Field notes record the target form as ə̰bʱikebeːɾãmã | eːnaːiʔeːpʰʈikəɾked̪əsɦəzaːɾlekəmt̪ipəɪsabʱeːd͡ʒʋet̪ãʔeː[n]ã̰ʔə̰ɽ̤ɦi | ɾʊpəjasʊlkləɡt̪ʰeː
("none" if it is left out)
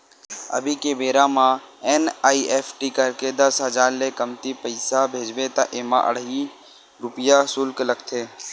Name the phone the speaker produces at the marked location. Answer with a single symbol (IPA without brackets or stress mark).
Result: m